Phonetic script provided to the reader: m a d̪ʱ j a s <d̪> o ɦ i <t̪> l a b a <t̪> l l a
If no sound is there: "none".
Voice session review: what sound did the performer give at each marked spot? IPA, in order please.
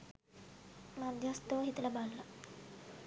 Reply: t̪, t̪, none

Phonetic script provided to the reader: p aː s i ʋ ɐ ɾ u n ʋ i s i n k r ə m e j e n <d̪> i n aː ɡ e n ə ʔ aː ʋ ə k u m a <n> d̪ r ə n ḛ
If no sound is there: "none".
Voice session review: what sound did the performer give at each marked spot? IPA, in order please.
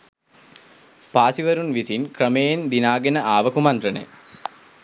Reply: d̪, n

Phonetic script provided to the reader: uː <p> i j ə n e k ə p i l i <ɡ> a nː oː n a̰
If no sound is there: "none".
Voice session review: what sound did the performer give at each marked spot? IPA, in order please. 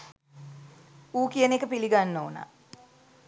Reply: k, ɡ

